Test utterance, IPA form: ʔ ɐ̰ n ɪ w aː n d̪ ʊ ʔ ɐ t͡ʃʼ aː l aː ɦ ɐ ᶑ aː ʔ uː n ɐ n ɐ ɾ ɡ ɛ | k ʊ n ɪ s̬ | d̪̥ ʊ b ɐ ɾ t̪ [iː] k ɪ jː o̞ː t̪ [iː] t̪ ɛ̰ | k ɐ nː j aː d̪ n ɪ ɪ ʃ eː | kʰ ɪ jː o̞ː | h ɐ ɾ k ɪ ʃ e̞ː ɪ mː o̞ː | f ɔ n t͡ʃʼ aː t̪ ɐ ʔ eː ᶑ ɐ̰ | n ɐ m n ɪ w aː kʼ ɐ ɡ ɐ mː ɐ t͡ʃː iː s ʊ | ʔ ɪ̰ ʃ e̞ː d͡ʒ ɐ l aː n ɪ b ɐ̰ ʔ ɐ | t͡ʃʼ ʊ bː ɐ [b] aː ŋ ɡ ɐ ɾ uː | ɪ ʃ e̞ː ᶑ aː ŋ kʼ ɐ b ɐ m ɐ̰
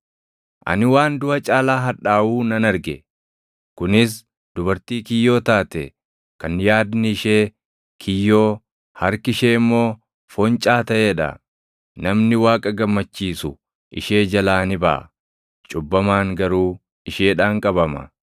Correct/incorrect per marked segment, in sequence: correct, incorrect: aː, incorrect: m

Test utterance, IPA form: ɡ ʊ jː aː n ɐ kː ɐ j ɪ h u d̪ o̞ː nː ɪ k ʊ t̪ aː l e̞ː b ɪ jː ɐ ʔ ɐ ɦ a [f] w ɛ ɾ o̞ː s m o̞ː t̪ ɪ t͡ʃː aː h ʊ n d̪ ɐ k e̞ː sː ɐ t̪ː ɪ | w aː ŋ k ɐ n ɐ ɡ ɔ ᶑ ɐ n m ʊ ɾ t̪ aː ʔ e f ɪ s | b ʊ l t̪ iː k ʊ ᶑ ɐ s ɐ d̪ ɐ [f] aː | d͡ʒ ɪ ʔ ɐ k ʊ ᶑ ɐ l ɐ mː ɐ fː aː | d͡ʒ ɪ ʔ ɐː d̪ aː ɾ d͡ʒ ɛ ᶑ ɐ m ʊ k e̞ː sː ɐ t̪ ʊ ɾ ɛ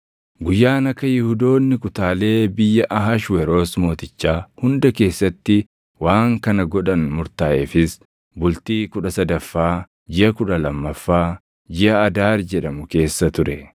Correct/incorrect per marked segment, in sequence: incorrect: ʃ, incorrect: fː

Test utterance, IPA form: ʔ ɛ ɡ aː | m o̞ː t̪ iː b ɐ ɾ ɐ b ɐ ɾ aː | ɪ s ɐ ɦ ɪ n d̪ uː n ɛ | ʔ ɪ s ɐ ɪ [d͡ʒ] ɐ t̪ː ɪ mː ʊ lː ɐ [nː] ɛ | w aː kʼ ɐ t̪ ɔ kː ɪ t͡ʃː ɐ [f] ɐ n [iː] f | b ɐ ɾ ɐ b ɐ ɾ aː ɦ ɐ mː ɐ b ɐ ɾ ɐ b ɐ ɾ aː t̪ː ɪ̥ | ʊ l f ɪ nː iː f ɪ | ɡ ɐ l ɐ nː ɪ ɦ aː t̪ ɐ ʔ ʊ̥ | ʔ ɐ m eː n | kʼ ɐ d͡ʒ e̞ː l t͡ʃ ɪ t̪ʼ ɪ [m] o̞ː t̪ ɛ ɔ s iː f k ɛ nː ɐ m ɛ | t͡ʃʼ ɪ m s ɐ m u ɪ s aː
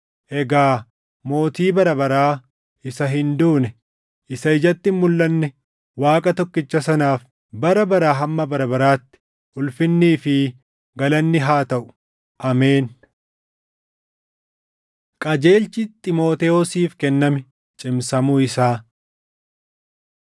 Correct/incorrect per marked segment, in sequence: correct, correct, incorrect: s, incorrect: aː, correct

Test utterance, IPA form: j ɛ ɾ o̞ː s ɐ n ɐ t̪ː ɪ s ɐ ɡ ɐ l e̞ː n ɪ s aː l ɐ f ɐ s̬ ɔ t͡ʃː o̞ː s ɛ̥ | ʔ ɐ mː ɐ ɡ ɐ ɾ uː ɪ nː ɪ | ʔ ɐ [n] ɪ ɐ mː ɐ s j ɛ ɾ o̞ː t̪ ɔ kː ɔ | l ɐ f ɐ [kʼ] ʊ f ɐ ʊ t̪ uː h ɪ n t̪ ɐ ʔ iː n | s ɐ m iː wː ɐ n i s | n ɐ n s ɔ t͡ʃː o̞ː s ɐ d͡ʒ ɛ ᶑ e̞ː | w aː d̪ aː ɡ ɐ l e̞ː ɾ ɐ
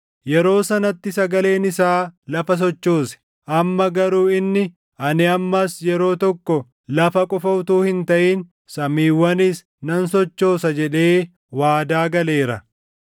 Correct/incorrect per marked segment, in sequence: correct, correct

